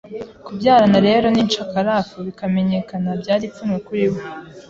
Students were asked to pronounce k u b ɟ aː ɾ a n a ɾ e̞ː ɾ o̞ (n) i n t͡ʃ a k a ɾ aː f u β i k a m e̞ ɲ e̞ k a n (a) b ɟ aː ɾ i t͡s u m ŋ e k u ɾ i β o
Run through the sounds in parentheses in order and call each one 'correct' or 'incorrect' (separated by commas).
correct, correct